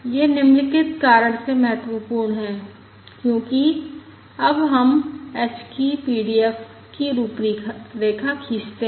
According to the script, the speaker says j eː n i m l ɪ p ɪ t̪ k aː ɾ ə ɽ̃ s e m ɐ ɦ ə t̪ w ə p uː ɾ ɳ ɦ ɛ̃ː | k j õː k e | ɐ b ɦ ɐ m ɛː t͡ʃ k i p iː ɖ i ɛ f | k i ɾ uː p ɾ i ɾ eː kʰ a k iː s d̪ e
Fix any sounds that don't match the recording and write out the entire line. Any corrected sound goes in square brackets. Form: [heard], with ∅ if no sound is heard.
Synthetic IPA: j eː n [ɪ] m l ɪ [k] ɪ t̪ k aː ɾ ə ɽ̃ s e m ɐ ɦ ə t̪ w ə p uː ɾ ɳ ɦ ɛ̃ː | k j õː k [i] | ɐ b ɦ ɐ m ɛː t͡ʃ k i p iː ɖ i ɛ f | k i ɾ uː p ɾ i ɾ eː kʰ a [kʰ] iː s [t̪] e

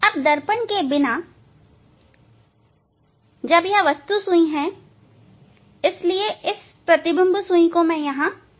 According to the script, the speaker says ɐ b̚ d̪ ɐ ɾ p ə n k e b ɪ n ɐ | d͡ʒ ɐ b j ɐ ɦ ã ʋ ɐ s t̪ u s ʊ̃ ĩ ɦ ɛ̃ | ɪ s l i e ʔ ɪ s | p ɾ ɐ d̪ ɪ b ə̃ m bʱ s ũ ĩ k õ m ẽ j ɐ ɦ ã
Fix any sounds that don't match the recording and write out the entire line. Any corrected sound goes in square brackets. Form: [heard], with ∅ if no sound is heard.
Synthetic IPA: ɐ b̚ d̪ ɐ ɾ p ə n k e b ɪ n [a] | d͡ʒ ɐ b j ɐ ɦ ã ʋ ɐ s t̪ u s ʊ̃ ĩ ɦ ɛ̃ | ɪ s l i e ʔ ɪ s | p ɾ ɐ [t̪] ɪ b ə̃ m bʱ s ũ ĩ k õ m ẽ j ɐ ɦ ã

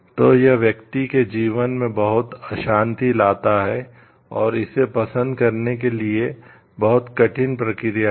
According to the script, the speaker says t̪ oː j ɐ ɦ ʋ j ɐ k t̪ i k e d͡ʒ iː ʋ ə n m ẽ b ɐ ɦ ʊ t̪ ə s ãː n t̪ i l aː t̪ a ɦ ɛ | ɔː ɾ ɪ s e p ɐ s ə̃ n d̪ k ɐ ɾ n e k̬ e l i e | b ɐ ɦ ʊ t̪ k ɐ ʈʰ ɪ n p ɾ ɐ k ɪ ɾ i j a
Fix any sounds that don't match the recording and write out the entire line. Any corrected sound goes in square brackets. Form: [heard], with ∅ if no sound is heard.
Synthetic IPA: t̪ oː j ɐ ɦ ʋ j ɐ k t̪ i k e d͡ʒ iː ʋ ə n m ẽ b ɐ ɦ ʊ t̪ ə [ʃ] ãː n t̪ i l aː t̪ a ɦ ɛ | ɔː ɾ ɪ s e p ɐ s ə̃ n d̪ k ɐ ɾ n e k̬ e l i e | b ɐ ɦ ʊ t̪ k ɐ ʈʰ ɪ n p ɾ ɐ k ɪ ɾ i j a

